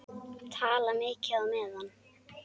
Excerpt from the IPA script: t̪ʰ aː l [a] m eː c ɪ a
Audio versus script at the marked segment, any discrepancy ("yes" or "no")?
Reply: no